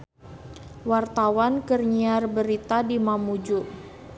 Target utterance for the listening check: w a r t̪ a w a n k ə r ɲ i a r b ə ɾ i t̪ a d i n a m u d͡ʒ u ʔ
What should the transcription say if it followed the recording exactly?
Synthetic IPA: w a r t̪ a w a n k ə r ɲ i a r b ə ɾ i t̪ a d i m a m u d͡ʒ u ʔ